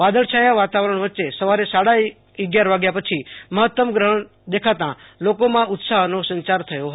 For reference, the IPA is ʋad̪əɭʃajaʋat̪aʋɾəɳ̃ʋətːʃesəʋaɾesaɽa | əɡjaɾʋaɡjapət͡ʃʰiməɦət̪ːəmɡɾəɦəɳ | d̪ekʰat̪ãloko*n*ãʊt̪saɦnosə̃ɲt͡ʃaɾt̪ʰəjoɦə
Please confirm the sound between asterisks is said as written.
no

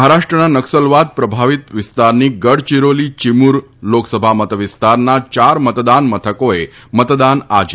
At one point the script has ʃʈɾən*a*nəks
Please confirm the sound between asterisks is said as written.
yes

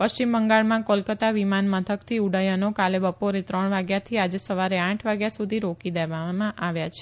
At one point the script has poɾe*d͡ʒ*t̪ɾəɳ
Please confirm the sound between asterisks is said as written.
no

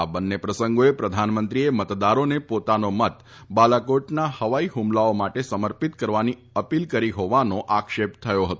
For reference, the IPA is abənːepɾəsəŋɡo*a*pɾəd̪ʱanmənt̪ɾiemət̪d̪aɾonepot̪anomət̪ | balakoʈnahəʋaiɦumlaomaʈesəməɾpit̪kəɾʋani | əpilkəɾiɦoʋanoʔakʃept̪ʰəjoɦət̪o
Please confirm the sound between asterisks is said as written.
no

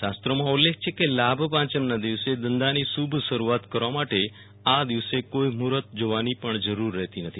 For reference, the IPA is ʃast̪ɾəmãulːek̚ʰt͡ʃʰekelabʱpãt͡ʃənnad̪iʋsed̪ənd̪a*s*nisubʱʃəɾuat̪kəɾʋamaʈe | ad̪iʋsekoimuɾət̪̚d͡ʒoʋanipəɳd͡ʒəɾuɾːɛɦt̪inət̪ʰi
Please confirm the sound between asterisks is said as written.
no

